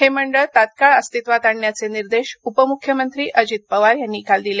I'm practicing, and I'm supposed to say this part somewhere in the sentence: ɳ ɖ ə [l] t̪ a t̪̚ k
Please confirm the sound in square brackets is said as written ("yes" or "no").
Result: no